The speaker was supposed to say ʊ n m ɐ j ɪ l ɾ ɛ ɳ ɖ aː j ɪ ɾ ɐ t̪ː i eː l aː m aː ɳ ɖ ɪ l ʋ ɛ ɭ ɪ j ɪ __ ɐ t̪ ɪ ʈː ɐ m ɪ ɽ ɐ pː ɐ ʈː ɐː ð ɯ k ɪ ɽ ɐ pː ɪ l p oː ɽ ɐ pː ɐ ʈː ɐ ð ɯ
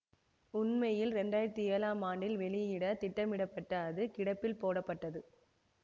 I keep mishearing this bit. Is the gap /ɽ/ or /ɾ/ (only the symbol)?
ɽ